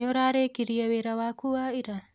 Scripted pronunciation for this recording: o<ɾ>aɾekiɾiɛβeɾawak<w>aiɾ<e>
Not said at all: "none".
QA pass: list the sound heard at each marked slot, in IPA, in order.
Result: ɾ, u, a

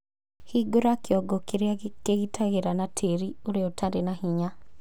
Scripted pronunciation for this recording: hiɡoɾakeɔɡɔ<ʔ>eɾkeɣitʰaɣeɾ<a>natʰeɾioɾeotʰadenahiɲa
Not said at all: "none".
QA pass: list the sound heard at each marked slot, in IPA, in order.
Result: k, a

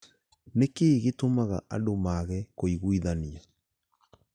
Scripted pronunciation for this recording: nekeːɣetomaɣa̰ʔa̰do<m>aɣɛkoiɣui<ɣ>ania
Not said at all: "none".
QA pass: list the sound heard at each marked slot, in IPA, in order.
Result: m, ð

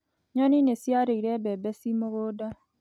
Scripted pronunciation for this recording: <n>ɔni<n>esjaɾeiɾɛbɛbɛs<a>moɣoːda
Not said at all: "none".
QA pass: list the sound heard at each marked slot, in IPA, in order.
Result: ɲ, n, i

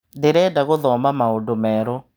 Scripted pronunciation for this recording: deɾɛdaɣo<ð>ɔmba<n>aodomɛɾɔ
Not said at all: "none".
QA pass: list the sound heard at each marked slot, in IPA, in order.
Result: ð, m

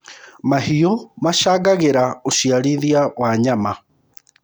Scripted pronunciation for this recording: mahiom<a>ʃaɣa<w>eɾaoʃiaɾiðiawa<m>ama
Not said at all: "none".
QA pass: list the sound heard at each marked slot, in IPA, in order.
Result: a, ɣ, ɲ

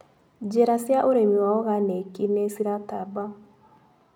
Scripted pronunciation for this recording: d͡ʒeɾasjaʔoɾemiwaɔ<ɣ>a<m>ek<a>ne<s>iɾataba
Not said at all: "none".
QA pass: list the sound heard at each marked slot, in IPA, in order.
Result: ɣ, n, i, s

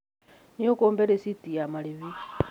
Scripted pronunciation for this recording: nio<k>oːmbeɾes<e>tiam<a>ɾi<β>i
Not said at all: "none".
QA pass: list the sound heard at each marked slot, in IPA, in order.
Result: k, i, a, β

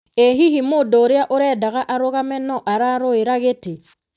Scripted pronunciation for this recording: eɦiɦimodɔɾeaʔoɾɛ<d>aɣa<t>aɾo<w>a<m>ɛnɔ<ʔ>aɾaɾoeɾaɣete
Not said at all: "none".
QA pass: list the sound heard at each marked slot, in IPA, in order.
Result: d, ʔ, ɣ, m, ʔ

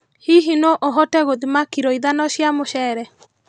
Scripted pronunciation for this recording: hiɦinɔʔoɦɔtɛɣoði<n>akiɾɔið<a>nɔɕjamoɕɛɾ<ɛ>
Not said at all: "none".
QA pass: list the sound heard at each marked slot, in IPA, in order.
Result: m, a, ɛ

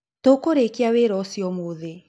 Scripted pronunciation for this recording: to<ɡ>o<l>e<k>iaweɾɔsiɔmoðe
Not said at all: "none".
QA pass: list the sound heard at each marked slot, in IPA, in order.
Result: k, ɾ, k

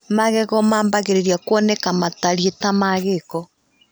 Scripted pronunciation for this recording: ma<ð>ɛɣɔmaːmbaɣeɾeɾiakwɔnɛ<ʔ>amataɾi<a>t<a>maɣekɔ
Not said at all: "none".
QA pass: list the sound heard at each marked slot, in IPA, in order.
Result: ɣ, k, e, a

